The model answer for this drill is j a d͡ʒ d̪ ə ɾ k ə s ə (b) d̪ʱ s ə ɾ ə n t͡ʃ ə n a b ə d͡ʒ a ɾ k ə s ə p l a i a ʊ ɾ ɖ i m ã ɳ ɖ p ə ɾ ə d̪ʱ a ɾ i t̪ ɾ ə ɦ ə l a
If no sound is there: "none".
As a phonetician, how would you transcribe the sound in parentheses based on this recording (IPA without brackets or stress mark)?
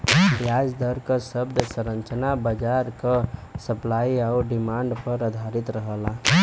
b